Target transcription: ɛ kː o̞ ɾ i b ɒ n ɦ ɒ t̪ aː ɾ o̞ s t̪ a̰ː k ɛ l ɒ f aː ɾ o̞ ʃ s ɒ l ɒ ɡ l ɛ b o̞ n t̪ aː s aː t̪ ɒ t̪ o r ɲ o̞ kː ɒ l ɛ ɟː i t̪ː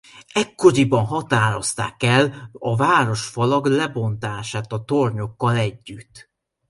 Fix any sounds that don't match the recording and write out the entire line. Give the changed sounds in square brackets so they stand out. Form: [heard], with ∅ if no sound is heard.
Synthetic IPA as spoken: ɛ kː o̞ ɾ i b ɒ n ɦ ɒ t̪ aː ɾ o̞ s t̪ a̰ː k ɛ l ɒ [v] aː ɾ o̞ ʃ [f] ɒ l ɒ ɡ l ɛ b o̞ n t̪ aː [ʃ] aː t̪ ɒ t̪ o r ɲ o̞ kː ɒ l ɛ ɟː [y] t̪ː